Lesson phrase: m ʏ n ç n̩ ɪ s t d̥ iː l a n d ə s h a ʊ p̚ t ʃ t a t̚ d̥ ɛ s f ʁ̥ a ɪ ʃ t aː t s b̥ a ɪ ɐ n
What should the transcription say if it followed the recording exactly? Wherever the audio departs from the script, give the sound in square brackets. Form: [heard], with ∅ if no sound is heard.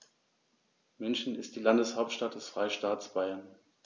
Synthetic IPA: m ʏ n ç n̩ ɪ s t d̥ iː l a n d ə s h a ʊ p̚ t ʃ t a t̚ d̥ ɛ s f ʁ̥ a ɪ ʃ t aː t s b̥ a ɪ ɐ n